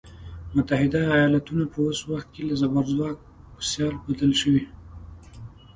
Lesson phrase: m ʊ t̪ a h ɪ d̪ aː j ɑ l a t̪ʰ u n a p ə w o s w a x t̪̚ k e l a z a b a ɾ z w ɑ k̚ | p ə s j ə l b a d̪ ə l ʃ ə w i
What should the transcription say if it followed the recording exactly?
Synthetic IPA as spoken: m ʊ t̪ a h ɪ d̪ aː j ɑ l a t̪ u n a p ə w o s w a x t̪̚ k e l a z a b a ɾ z w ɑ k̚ | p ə s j ɑ l b a d̪ ə l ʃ ə w i